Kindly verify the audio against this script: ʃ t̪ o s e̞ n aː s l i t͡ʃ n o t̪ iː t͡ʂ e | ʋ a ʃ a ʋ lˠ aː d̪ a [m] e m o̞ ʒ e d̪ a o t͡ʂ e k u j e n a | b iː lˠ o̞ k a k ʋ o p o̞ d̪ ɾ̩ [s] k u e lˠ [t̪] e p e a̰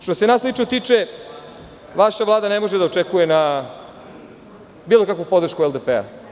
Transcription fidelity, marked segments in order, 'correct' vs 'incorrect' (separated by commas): incorrect, incorrect, incorrect